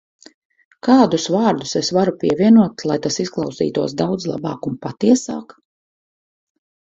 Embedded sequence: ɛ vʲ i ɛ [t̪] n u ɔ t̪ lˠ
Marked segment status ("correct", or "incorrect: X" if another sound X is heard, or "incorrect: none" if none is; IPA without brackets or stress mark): incorrect: none